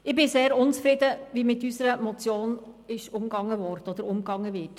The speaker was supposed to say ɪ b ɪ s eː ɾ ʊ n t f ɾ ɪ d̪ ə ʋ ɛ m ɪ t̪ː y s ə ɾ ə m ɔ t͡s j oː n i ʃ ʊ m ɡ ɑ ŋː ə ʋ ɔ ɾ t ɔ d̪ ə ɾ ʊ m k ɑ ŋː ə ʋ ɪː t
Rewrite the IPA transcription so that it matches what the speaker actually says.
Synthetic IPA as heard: ɪ b ɪ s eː ɾ ʊ n t͡s f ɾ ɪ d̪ ə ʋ i m ɪ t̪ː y s ə ɾ ə m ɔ t͡s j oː n ɪ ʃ ʊ m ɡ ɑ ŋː ə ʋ ɔ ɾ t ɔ d̪ ə ɾ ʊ m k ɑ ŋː ə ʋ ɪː t